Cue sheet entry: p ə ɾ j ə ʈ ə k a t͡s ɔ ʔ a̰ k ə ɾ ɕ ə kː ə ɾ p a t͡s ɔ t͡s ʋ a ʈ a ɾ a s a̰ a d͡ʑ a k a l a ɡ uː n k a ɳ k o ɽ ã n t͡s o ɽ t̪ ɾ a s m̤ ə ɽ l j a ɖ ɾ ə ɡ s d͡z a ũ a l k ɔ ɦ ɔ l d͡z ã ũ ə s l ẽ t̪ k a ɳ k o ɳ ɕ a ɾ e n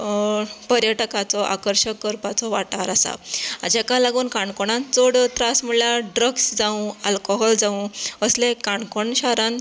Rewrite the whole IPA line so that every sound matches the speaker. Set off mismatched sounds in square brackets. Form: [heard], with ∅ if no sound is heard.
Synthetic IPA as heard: p ə ɾ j ə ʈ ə k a t͡s ɔ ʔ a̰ k ə ɾ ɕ ə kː ə ɾ p a t͡s ɔ [∅] ʋ a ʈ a ɾ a s a̰ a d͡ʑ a k a l a ɡ uː n k a ɳ k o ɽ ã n t͡s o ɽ t̪ ɾ a s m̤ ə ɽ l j a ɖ ɾ ə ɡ s d͡z a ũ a l k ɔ ɦ ɔ l d͡z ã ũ ə s l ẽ [∅] k a ɳ k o ɳ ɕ a ɾ [a] n

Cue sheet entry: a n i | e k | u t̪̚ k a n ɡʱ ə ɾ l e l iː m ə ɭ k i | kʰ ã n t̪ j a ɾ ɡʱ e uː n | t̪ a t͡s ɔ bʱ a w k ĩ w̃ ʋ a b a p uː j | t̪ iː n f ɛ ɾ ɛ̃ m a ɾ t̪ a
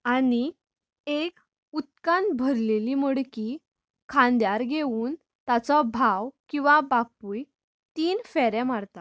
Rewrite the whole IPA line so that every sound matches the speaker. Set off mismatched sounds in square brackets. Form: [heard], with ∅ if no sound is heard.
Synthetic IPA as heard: a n i | e k | u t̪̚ k a n [bʱ] ə ɾ l e l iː m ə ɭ k i | kʰ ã n [d̪] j a ɾ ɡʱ e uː n | t̪ a t͡s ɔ bʱ a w k ĩ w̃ ʋ a b a p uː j | t̪ iː n f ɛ ɾ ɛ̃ m a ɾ t̪ a

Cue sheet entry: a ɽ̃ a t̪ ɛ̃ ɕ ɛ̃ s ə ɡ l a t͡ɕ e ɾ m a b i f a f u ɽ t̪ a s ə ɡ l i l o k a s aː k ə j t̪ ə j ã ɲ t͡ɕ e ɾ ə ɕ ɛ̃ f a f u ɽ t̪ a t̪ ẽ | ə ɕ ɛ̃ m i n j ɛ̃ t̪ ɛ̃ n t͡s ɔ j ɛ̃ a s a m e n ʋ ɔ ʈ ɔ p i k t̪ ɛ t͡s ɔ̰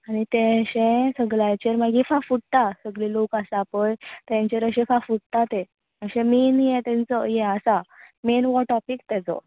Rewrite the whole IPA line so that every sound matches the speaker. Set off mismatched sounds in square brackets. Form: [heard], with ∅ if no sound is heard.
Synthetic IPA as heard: a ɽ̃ [i] t̪ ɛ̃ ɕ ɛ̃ s ə ɡ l a t͡ɕ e ɾ m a [ɡ] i f a f u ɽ t̪ a s ə ɡ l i l o k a s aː [p] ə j t̪ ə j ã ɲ t͡ɕ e ɾ ə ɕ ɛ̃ f a f u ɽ t̪ a t̪ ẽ | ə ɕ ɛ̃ m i n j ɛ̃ t̪ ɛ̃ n t͡s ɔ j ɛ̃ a s a m e n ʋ ɔ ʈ ɔ p i k t̪ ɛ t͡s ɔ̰

